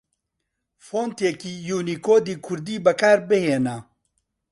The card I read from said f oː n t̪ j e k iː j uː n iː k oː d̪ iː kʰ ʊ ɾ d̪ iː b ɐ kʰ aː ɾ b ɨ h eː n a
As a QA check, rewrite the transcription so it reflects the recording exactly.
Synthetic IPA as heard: f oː n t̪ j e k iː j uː n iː k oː d̪ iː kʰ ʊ ɾ d̪ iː b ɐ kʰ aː ɾ b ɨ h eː n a

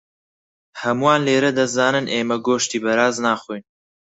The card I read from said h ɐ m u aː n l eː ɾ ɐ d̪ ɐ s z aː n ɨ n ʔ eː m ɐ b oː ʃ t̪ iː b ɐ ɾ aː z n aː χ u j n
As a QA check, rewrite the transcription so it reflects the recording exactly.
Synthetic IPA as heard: h ɐ m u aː n l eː ɾ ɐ d̪ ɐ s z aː n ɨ n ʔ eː m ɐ ɡ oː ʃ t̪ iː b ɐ ɾ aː z n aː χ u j n

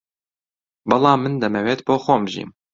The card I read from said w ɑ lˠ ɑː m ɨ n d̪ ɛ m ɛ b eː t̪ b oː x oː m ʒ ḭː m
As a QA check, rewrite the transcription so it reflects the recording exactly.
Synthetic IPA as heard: b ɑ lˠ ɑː m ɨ n d̪ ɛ m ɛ w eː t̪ b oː x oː m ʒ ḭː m

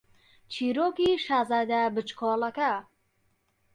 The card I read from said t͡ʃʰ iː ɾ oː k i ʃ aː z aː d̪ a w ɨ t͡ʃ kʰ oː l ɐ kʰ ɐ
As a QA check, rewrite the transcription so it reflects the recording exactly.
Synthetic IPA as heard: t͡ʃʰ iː ɾ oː k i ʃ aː z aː d̪ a b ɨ t͡ʃ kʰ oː l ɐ k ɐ

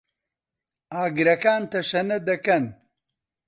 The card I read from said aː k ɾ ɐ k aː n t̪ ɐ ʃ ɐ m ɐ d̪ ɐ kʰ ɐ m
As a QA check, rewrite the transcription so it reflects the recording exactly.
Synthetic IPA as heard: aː ɡ ɾ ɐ k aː n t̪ ɐ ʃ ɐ n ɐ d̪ ɐ k ɐ n

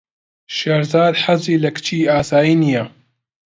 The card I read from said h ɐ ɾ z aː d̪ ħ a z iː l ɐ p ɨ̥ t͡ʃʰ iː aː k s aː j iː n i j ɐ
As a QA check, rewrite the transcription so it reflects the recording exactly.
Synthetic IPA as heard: ʃ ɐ ɾ z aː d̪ ħ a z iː l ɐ k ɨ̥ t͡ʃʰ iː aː s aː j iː n i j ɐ

